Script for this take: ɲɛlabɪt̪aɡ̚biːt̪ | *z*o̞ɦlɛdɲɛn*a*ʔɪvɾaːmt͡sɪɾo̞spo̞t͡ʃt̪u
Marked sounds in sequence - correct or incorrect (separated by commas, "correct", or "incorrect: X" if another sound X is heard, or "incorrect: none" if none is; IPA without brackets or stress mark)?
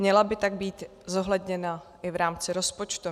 correct, correct